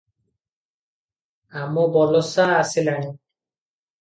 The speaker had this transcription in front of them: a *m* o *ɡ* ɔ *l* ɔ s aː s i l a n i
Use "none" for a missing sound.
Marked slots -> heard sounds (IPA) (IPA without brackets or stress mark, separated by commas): m, b, l